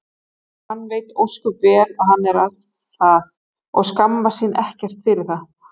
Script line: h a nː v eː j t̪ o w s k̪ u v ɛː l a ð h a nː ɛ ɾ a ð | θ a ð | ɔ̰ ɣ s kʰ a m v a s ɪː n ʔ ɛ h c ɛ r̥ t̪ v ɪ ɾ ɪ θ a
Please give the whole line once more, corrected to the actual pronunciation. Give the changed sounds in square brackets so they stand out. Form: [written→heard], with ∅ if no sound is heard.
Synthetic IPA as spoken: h a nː v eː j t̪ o w s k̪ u v ɛː l a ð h a nː ɛ ɾ a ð | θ a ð | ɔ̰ ɣ s [kʰ→k] a m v a s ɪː n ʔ ɛ h c ɛ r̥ t̪ [v→f] ɪ ɾ ɪ θ a